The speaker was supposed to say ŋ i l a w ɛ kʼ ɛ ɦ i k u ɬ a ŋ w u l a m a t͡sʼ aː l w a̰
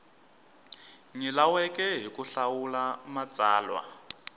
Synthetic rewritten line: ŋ i l a w ɛ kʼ ɛ ɦ i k u ɬ a w u l a m a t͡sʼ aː l w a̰

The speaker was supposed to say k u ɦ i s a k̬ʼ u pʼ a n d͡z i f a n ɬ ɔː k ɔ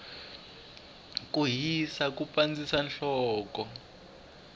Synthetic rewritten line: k u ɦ i s a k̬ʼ u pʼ a n d͡z i s a n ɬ ɔː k ɔ

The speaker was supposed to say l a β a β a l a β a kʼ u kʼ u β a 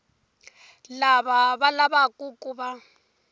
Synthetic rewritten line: l a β a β a l a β a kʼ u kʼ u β a

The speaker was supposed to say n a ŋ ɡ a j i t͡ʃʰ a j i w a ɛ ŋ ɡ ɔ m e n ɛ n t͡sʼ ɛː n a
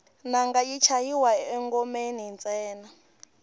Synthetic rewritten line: n a ŋ ɡ a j i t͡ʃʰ a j i w a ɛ ŋ ɡ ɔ m e n i n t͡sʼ ɛː n a

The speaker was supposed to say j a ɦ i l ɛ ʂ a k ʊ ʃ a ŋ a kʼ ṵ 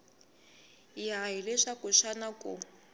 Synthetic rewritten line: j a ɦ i l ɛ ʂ a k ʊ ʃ a n a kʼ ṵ

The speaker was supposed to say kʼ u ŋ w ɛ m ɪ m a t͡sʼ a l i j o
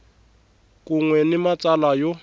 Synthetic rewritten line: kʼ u ŋ w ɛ n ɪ m a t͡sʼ a l a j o

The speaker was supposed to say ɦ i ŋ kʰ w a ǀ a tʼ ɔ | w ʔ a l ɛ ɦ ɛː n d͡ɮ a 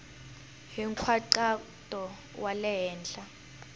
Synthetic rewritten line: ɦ i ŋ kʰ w a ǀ a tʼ ɔ | w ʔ a l ɛ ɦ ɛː n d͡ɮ a

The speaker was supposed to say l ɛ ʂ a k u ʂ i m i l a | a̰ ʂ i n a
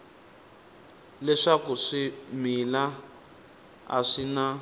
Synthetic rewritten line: l ɛ ʂ a k u ʂ i m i l a | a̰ ʂ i n a

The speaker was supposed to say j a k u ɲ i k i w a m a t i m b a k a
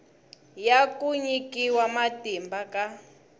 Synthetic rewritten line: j a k u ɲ i k i w a m a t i m b a k a

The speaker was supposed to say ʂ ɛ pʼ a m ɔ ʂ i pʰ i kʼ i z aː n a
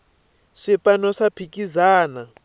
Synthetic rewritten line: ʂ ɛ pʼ a n ɔ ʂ a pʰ i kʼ i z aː n a

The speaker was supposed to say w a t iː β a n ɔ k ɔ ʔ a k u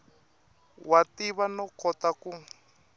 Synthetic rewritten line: w a t i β a n ɔ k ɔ t a k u

